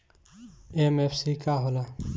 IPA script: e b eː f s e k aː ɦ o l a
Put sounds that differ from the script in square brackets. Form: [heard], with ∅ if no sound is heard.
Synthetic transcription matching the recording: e [m] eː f s [i] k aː ɦ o l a